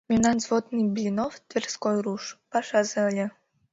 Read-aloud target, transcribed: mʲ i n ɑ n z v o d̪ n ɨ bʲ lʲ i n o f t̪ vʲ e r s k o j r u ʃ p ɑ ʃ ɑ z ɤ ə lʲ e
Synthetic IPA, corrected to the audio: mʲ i n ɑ n z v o d̪ n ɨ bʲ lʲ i n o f t̪ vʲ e r s k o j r u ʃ p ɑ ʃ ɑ z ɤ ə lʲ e